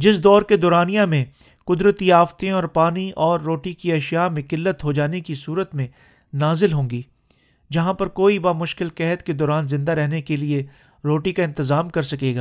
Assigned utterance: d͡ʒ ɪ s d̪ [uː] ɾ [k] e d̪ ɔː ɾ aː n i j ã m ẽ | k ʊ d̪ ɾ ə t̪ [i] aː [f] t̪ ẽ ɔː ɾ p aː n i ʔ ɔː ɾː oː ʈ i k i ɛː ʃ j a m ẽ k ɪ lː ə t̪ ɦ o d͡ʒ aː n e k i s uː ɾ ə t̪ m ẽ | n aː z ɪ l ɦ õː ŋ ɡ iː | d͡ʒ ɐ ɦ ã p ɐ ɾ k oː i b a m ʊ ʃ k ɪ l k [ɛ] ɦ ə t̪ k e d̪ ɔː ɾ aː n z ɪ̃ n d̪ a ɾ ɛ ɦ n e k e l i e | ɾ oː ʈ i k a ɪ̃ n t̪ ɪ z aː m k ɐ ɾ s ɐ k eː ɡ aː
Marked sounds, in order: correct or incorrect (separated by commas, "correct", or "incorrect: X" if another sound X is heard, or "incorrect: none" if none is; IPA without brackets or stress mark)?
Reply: incorrect: ɔː, correct, correct, correct, correct